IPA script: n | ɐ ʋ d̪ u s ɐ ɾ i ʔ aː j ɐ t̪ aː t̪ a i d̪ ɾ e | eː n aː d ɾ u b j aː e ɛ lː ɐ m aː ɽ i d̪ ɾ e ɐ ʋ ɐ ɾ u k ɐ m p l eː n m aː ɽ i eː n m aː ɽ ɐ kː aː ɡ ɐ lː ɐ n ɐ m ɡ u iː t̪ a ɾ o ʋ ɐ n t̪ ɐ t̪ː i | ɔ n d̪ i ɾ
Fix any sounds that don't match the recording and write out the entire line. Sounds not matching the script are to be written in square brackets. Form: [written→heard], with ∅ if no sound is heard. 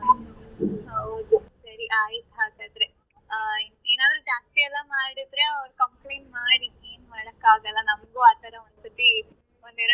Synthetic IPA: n | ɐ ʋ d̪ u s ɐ ɾ i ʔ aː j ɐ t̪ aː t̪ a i d̪ ɾ e | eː n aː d ɾ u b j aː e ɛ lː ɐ m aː ɽ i d̪ ɾ e ɐ ʋ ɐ ɾ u k ɐ m p l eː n m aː ɽ i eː n m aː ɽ ɐ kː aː ɡ ɐ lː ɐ n ɐ m ɡ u [iː→aː] t̪ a ɾ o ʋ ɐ n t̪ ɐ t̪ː i | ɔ n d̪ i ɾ

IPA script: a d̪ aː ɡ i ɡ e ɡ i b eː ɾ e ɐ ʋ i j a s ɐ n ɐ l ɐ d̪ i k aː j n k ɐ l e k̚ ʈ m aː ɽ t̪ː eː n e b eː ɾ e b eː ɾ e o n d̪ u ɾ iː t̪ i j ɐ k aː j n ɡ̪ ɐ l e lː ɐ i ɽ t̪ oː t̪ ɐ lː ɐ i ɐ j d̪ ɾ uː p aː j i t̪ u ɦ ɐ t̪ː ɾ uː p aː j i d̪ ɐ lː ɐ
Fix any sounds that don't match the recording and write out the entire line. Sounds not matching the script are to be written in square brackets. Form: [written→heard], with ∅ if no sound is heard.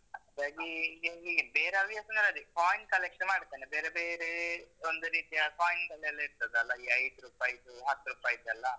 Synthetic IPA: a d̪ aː ɡ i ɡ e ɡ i b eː ɾ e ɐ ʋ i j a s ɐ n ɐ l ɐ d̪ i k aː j n k ɐ l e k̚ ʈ m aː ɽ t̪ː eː n e b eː ɾ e b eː ɾ e o n d̪ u ɾ iː t̪ i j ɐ k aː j n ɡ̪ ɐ l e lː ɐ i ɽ t̪ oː [t̪→d̪] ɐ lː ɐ i ɐ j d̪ ɾ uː p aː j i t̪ u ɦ ɐ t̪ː ɾ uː p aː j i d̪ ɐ lː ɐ

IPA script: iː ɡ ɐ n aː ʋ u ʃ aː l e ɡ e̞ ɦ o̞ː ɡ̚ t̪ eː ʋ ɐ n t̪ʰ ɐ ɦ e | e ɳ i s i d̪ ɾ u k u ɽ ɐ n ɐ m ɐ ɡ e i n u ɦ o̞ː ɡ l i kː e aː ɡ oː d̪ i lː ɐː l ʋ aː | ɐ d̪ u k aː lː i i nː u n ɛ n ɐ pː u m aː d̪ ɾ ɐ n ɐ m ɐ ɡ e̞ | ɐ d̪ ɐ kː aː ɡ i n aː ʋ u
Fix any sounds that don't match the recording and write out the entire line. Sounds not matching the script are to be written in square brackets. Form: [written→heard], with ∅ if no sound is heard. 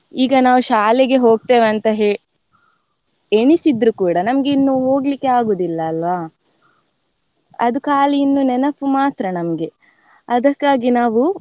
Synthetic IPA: iː ɡ ɐ n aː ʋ u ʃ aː l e ɡ e̞ ɦ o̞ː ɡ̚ t̪ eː ʋ ɐ n [t̪ʰ→t̪] ɐ ɦ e | e ɳ i s i d̪ ɾ u k [u→uː] ɽ ɐ n ɐ m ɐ ɡ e i [n→nː] u ɦ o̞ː ɡ l i kː e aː ɡ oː d̪ i lː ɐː l ʋ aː | ɐ d̪ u k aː [lː→l] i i nː u n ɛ n ɐ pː u m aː [d̪→t̪] ɾ ɐ n ɐ m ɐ ɡ e̞ | ɐ d̪ ɐ kː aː ɡ i n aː ʋ u

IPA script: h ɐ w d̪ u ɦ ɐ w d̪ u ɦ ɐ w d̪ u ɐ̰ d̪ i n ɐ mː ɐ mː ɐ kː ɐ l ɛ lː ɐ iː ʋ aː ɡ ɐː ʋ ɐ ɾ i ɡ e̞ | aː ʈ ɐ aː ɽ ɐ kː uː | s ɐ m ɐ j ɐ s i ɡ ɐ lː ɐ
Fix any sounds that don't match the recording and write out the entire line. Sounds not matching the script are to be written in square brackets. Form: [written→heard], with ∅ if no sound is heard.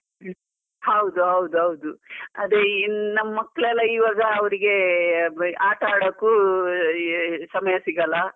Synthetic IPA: h ɐ w d̪ u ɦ ɐ w d̪ u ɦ ɐ w d̪ u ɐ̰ d̪ [i→e] n ɐ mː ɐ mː ɐ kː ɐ [l→ɭ] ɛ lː ɐ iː ʋ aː ɡ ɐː ʋ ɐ ɾ i ɡ e̞ | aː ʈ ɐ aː ɽ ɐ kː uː | s ɐ m ɐ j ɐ s i ɡ ɐ lː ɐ

